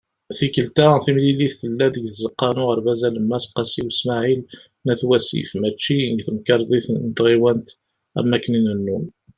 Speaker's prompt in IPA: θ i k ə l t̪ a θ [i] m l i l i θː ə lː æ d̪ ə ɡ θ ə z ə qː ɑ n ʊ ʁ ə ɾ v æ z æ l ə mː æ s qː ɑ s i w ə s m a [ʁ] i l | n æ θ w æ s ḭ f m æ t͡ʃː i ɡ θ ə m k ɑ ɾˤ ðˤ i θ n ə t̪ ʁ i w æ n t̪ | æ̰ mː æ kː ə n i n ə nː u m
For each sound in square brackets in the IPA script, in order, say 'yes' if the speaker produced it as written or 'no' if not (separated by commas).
yes, no